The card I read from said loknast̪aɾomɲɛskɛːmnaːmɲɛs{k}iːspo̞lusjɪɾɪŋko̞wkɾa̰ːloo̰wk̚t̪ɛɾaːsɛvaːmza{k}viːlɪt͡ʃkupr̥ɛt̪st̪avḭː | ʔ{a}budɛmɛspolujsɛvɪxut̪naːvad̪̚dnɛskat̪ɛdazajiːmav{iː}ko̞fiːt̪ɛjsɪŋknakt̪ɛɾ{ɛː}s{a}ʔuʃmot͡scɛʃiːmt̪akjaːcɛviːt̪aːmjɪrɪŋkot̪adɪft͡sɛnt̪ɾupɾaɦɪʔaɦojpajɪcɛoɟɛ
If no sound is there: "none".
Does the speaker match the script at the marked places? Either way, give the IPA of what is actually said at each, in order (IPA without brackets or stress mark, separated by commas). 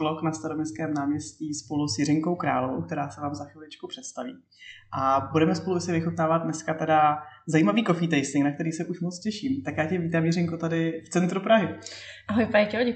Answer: c, x, a, iː, iː, ɛ